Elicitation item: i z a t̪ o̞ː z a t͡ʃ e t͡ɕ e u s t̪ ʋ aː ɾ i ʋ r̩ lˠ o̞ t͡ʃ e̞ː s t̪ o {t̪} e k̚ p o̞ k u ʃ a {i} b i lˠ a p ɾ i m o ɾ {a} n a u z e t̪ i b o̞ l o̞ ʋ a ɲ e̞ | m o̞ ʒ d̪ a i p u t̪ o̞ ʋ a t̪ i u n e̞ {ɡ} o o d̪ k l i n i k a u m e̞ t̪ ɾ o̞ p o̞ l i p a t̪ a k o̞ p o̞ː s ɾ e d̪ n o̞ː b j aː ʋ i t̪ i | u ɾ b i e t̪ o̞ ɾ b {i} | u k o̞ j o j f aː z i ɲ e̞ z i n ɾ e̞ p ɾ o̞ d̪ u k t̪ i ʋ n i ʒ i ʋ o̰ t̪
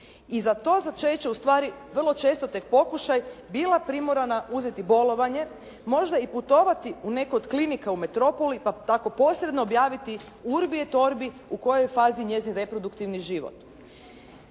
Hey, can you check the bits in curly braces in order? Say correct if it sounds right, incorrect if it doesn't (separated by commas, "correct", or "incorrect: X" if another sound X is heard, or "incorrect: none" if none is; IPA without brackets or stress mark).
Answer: correct, incorrect: j, correct, incorrect: k, correct